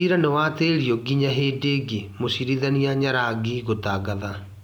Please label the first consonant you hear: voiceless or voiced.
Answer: voiced